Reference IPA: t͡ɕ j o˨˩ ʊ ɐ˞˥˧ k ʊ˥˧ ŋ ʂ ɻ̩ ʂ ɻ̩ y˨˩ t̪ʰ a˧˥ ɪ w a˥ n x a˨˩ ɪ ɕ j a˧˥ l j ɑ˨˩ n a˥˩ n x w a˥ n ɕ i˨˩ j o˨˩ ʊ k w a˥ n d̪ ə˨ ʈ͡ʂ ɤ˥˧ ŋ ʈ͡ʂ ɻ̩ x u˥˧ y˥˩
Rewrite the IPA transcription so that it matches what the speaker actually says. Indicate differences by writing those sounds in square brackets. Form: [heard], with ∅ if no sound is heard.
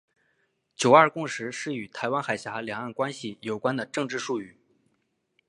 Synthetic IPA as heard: t͡ɕ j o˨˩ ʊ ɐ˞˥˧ k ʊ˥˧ ŋ ʂ ɻ̩ ʂ ɻ̩ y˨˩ t̪ʰ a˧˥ ɪ w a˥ n x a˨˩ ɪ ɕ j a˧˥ l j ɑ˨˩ [ŋ] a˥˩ n [k] w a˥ n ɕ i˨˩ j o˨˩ ʊ k w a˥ n d̪ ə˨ ʈ͡ʂ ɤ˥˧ ŋ ʈ͡ʂ ɻ̩ [ʂ] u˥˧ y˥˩